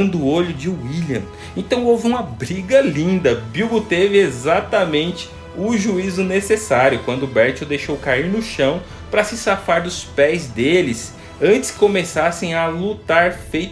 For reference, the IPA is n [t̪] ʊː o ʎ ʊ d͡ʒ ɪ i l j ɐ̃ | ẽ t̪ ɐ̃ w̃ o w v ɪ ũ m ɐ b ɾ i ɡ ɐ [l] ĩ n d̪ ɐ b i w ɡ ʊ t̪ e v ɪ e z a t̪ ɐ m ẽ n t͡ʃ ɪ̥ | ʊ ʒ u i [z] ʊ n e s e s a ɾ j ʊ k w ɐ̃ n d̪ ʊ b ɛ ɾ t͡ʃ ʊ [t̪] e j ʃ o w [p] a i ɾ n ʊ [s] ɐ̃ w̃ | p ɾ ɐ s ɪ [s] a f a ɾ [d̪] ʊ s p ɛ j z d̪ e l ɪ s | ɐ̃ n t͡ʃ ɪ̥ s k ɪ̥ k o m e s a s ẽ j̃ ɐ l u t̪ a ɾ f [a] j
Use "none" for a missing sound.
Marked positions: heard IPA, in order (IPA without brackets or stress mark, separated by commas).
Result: d̪, l, z, d̪, k, ʃ, s, d̪, e